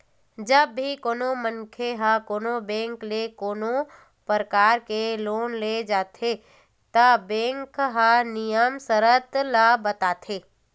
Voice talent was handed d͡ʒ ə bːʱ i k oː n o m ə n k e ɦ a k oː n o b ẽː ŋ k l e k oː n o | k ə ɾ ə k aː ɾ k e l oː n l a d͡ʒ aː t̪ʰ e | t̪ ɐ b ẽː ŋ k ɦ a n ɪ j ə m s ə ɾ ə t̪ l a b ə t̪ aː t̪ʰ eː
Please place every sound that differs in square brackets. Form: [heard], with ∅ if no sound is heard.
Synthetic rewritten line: d͡ʒ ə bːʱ i k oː n o m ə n [kʰ] e ɦ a k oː n o b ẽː ŋ k l e k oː n o | [p] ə ɾ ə k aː ɾ k e l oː n l [e] d͡ʒ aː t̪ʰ e | t̪ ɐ b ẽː ŋ k ɦ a n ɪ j ə m s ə ɾ ə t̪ l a b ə t̪ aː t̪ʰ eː